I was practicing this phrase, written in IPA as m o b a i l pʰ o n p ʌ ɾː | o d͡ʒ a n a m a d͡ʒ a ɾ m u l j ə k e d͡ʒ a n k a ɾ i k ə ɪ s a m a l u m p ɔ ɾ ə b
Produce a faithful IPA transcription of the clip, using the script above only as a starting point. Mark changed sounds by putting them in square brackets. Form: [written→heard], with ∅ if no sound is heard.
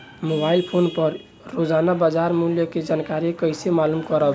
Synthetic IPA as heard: m o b a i l pʰ o n p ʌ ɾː | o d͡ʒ a n a [m→b] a d͡ʒ a ɾ m u l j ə k e d͡ʒ a n k a ɾ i k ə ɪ s [a→e] m a l u m [p→k] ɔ ɾ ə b